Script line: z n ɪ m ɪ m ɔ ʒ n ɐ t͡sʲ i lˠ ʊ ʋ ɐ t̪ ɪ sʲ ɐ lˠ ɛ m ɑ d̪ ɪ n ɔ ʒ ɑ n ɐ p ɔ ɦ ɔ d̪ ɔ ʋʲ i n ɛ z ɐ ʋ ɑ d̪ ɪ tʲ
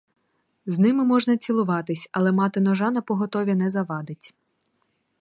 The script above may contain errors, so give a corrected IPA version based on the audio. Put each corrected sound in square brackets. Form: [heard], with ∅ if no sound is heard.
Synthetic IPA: z n ɪ m ɪ m ɔ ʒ n ɐ t͡sʲ i lˠ ʊ ʋ [ɑ] t̪ ɪ sʲ ɐ lˠ ɛ m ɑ [t̪] ɪ n ɔ ʒ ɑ n ɐ p ɔ ɦ ɔ [t̪] ɔ ʋʲ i n ɛ z ɐ ʋ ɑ d̪ ɪ tʲ